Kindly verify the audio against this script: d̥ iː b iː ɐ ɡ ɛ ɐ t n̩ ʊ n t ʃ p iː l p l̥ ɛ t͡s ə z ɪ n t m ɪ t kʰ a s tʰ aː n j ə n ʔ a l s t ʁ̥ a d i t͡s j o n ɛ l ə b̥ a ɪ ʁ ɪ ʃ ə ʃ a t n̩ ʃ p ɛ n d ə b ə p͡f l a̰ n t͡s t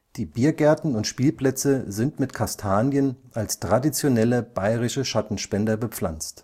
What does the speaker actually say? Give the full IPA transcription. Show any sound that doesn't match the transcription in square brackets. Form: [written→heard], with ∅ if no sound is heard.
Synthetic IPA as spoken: d̥ iː b iː ɐ ɡ ɛ ɐ t n̩ ʊ n t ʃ p iː l p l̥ ɛ t͡s ə z ɪ n t m ɪ t kʰ a s tʰ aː n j ə n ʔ a l s t ʁ̥ a d i t͡s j o n ɛ l ə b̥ a ɪ ʁ ɪ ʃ ə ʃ a t n̩ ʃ p ɛ n d [ə→ɐ] b ə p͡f l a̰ n t͡s t

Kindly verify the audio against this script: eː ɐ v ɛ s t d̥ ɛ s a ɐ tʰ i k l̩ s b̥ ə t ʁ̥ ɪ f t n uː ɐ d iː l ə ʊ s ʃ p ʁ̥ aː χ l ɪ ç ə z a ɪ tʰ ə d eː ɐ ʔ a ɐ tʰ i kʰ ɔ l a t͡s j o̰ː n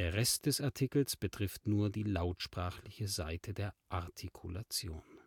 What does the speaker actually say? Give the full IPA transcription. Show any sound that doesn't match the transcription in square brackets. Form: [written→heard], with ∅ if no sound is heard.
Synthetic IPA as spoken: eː ɐ [v→ʁ] ɛ s t d̥ ɛ s a ɐ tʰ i k l̩ s b̥ ə t ʁ̥ ɪ f t n uː ɐ d iː l [ə→a] ʊ [s→t] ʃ p ʁ̥ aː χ l ɪ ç ə z a ɪ tʰ ə d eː ɐ ʔ a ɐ tʰ i kʰ [ɔ→u] l a t͡s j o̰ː n

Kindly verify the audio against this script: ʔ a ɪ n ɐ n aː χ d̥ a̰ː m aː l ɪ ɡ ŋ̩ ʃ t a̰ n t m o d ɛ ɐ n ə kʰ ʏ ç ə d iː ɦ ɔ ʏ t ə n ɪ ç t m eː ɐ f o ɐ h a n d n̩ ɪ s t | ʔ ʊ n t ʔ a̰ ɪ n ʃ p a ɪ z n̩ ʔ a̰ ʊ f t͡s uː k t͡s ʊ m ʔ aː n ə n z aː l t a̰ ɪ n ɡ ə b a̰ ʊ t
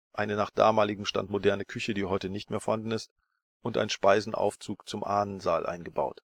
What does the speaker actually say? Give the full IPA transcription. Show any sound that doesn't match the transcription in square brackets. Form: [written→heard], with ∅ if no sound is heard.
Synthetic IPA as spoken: ʔ a ɪ n [ɐ→ə] n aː χ d̥ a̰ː m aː l ɪ ɡ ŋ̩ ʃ t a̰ n t m o d ɛ ɐ n ə kʰ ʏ ç ə d iː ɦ ɔ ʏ t ə n ɪ ç t m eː ɐ f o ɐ h a n d n̩ ɪ s t | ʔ ʊ n t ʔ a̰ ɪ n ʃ p a ɪ z n̩ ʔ a̰ ʊ f t͡s uː k t͡s ʊ m ʔ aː n ə n z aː l [t→ʔ] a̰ ɪ n ɡ ə b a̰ ʊ t

